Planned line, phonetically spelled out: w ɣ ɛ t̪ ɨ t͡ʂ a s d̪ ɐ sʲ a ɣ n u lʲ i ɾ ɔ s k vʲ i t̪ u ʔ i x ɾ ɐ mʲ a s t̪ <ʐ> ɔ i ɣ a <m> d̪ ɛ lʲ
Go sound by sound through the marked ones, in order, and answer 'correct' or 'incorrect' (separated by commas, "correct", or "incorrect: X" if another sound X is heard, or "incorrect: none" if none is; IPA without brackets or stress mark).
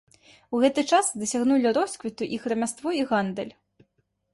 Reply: incorrect: v, incorrect: n